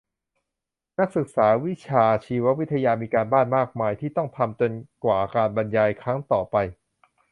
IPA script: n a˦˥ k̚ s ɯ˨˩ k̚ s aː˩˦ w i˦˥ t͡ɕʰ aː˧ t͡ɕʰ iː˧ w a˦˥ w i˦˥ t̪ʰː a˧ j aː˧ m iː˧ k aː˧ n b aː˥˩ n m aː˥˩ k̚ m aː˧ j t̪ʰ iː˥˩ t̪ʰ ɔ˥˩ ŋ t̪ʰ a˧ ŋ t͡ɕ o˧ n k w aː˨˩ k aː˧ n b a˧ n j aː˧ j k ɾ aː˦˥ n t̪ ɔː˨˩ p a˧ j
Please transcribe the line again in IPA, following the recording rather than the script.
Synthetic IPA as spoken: n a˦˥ k̚ s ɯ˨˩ k̚ s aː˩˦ w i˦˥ t͡ɕʰ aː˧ t͡ɕʰ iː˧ w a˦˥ w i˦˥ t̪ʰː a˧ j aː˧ m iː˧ k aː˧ n b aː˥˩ n m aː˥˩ k̚ m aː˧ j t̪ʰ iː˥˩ t̪ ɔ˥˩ ŋ t̪ʰ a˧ m t͡ɕ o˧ n k w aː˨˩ k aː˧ n b a˧ n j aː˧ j kʰ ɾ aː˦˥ ŋ t̪ ɔː˨˩ p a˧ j

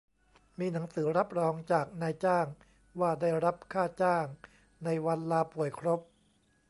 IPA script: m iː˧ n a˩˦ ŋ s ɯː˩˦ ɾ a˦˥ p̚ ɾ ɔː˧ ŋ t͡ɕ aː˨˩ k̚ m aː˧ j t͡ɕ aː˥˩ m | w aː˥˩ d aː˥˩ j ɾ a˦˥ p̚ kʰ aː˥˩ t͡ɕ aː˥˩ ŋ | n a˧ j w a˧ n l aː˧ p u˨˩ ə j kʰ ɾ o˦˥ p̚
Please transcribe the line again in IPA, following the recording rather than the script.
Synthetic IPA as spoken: m iː˧ n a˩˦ ŋ s ɯː˩˦ ɾ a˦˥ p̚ ɾ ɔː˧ ŋ t͡ɕ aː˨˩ k̚ n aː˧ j t͡ɕ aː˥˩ ŋ | w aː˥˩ d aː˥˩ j ɾ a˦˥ p̚ kʰ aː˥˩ t͡ɕ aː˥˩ ŋ | n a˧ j w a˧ n l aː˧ p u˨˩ ə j kʰ ɾ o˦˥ p̚

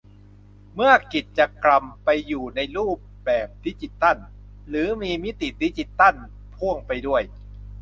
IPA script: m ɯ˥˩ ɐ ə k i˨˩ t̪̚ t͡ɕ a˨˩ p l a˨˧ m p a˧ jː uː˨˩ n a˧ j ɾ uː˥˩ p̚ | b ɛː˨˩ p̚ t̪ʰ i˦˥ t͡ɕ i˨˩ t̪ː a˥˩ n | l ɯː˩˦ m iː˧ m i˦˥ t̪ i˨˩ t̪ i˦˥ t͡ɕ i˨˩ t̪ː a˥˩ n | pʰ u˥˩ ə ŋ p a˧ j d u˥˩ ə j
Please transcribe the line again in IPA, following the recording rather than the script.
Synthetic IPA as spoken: m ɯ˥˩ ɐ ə k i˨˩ t̪̚ t͡ɕ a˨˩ k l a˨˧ m p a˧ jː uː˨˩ n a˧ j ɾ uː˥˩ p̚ | b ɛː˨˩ p̚ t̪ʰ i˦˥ t͡ɕ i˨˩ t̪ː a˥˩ n | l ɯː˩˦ m iː˧ m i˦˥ t̪ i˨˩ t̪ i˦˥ t͡ɕ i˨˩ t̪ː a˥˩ n | pʰ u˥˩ ə ŋ p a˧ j d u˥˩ ə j

